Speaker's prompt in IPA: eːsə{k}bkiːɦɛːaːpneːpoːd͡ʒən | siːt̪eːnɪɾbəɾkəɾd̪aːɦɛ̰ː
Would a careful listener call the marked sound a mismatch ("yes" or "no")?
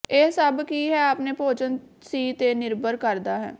yes